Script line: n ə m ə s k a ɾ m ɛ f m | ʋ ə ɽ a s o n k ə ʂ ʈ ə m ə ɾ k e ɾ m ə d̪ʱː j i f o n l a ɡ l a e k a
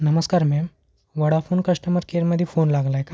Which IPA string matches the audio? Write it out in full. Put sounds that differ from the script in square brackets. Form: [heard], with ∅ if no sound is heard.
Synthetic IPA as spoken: n ə m ə s k a ɾ m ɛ [∅] m | ʋ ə ɽ a [f] o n k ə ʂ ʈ ə m ə ɾ k e ɾ m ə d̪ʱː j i f o n l a ɡ l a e k a

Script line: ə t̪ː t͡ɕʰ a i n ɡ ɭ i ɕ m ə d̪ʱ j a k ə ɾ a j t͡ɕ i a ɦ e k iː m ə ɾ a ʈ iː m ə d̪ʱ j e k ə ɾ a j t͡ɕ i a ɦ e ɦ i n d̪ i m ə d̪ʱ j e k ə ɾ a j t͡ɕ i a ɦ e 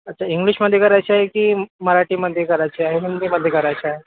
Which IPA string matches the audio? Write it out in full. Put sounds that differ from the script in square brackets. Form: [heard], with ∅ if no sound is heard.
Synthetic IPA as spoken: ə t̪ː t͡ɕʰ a i [ŋ] ɡ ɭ i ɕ m ə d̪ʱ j [e] k ə ɾ a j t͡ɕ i a ɦ e k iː m ə ɾ a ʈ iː m ə d̪ʱ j e k ə ɾ a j t͡ɕ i a ɦ e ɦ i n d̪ i m ə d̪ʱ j e k ə ɾ a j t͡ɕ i a ɦ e

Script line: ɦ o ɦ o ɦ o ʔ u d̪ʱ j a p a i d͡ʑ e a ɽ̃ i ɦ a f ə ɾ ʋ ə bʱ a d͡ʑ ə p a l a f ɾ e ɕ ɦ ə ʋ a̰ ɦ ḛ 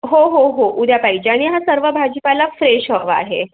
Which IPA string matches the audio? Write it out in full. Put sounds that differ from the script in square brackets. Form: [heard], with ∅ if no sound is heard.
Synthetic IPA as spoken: ɦ o ɦ o ɦ o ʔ u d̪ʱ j a p a i d͡ʑ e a ɽ̃ i ɦ a [s] ə ɾ ʋ ə bʱ a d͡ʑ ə p a l a f ɾ e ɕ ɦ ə ʋ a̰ ɦ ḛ

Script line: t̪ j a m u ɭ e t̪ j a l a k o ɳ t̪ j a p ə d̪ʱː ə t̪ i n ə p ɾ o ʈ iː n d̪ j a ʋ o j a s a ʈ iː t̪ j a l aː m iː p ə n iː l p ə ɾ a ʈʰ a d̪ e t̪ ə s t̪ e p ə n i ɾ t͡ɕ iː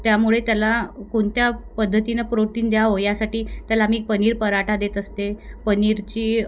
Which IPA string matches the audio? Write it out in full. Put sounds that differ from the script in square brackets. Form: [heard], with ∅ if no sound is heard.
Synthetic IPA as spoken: t̪ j a m u ɭ e t̪ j a l a k o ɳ t̪ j a p ə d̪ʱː ə t̪ i n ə p ɾ o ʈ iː n d̪ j a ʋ o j a s a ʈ iː t̪ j a l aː m iː p ə n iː [ɾ] p ə ɾ a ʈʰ a d̪ e t̪ ə s t̪ e p ə n i ɾ t͡ɕ iː

